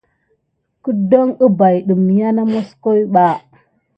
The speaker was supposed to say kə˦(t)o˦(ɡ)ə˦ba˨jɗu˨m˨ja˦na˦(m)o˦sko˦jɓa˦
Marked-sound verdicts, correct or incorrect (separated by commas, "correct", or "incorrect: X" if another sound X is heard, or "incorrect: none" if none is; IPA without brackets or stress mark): incorrect: d, incorrect: ŋ, correct